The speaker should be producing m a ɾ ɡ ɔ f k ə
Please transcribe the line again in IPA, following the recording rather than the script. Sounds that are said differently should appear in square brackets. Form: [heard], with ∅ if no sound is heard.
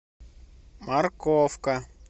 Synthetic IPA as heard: m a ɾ [k] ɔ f k [a]

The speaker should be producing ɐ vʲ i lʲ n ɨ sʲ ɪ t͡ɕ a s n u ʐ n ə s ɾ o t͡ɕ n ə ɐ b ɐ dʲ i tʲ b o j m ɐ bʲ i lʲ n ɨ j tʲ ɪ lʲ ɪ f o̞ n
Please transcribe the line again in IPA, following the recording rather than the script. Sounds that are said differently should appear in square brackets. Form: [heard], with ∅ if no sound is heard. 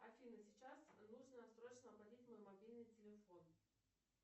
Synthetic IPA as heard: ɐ [fʲ] i [∅] n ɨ sʲ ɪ t͡ɕ a s n u ʐ n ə s ɾ o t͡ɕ n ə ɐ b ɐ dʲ i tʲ [m] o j m ɐ bʲ i lʲ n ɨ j tʲ ɪ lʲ ɪ f o̞ n

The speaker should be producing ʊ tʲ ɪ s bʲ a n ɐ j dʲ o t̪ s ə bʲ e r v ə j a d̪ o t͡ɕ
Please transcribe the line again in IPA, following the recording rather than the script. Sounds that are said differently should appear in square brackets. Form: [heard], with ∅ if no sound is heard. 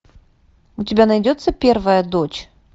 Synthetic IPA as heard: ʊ tʲ ɪ [∅] bʲ a n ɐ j dʲ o t̪ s ə [pʲ] e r v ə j [ə] d̪ o t͡ɕ

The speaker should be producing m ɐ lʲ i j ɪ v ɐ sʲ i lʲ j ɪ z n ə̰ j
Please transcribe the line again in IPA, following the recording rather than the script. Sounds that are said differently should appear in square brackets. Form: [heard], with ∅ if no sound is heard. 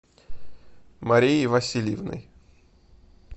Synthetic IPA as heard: m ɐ [ɾʲ] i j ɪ v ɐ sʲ i lʲ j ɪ [v] n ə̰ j

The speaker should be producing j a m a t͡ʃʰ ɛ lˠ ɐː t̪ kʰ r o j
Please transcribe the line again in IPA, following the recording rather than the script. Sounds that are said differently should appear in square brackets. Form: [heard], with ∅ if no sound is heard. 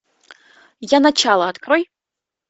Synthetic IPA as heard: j a [n] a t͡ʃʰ [a] lˠ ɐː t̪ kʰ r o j

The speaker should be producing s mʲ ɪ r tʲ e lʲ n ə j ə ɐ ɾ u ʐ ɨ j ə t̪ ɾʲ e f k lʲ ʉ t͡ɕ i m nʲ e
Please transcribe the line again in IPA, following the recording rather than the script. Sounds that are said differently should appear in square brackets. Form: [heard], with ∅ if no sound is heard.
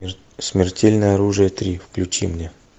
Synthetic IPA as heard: s mʲ ɪ r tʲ e lʲ n ə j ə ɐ ɾ u ʐ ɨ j ə t̪ ɾʲ [i] f k lʲ ʉ t͡ɕ i m nʲ e

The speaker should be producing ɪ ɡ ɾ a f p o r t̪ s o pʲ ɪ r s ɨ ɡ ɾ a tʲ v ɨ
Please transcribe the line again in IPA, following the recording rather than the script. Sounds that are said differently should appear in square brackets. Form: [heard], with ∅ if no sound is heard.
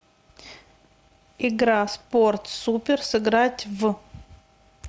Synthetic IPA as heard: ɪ ɡ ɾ a [s] p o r t̪ s [u] pʲ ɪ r s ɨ ɡ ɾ a tʲ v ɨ

